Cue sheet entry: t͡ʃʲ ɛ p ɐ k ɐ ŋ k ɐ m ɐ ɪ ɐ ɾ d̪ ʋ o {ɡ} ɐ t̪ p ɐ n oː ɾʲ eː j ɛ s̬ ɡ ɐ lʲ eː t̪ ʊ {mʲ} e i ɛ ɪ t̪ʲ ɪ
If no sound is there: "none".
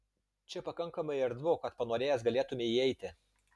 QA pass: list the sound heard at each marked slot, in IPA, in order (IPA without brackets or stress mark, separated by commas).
k, mʲ